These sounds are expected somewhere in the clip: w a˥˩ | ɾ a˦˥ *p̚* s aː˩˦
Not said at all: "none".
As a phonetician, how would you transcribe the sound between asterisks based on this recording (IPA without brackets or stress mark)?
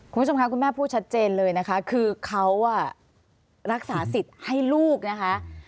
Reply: k̚